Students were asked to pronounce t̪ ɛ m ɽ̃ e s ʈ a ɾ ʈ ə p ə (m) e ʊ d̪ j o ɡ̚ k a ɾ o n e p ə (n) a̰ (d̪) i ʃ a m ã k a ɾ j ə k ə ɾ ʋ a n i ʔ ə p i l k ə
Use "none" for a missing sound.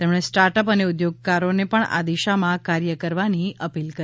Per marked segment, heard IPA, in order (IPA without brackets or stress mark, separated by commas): n, ɳ, d̪